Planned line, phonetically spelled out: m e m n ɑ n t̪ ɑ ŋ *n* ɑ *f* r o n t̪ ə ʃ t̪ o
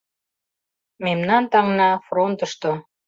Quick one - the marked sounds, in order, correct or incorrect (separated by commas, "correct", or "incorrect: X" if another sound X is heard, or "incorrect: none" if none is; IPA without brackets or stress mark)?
correct, correct